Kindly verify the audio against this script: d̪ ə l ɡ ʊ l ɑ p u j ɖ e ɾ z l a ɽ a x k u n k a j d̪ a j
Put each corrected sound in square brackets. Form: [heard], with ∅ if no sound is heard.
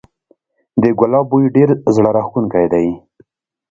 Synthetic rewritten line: d̪ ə [∅] ɡ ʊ l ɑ [b] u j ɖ e ɾ z [ɽ] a [ɾ] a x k u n k a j d̪ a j